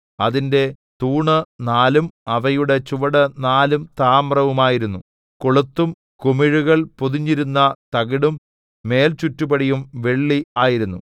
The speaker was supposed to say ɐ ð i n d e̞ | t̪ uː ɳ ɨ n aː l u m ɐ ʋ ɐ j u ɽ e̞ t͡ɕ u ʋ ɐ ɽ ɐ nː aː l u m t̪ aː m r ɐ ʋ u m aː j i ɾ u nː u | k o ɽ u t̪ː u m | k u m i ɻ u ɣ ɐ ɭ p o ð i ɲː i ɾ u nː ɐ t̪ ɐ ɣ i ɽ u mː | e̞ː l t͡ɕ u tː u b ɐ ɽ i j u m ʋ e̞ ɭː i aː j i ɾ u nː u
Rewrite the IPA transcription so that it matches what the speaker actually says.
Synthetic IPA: ɐ ð i n d e̞ | t̪ uː ɳ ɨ n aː l u m ɐ ʋ ɐ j u ɽ e̞ t͡ɕ u ʋ ɐ ɽ ɐ n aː l u m t̪ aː m r ɐ ʋ u m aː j i ɾ u nː u | k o ɭ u t̪ː u m | k u m i ɻ u ɣ ɐ ɭ p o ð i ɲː i ɾ u nː ɐ t̪ ɐ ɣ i ɽ u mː | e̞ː l t͡ɕ u tː u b ɐ ɽ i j u m ʋ e̞ ɭː i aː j i ɾ u nː u